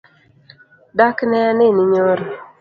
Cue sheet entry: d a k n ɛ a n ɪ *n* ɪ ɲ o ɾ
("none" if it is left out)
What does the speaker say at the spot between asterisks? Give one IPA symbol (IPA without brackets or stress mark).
n